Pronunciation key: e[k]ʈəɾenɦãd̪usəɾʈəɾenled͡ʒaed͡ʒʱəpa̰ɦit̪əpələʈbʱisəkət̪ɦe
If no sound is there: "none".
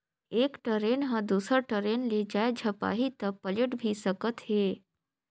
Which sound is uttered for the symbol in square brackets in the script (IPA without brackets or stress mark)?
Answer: k